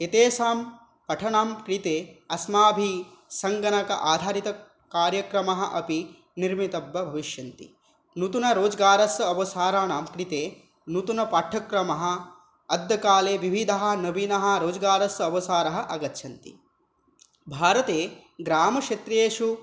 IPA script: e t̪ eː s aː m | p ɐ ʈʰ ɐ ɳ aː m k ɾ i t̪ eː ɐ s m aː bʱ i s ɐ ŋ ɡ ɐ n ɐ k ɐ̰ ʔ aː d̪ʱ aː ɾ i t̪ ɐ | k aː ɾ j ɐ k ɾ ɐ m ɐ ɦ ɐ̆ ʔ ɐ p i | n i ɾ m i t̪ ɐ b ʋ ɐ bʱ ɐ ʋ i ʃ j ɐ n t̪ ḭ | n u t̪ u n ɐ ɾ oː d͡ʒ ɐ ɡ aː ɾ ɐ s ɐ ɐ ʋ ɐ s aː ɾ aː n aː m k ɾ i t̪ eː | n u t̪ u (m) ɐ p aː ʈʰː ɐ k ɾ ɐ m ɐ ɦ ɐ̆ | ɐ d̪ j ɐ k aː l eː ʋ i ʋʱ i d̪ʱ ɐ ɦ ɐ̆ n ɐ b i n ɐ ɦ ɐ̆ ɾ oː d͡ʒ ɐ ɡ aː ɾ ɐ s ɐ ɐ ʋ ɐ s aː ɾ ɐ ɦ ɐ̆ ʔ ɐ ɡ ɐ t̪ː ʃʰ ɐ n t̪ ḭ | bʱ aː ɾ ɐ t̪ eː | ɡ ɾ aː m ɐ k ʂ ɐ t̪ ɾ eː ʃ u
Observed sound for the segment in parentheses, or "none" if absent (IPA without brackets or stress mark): n